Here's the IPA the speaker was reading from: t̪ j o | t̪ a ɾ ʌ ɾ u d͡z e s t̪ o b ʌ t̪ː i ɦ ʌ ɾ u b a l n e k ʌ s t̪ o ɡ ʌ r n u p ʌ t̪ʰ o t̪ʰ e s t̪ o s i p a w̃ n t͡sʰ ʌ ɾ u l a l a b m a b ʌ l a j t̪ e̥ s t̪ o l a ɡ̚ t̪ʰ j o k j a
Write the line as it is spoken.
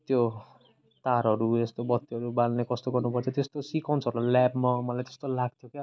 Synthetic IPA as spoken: t̪ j o | t̪ a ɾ ʌ ɾ u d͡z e s t̪ o b ʌ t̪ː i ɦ ʌ ɾ u b a l n e k ʌ s t̪ o ɡ ʌ r n u p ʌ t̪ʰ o t̪ e s t̪ o s i k a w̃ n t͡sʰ ʌ ɾ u l a l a b m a m ʌ l a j t̪ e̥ s t̪ o l a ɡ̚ t̪ʰ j o k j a